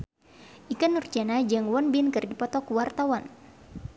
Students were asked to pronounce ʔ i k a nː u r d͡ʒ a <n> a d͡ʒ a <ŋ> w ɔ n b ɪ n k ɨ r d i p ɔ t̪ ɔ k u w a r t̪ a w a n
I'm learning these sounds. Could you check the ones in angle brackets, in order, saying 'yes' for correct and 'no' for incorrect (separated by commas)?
yes, yes